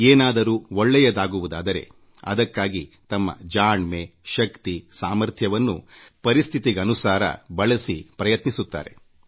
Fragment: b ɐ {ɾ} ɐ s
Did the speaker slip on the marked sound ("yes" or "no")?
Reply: yes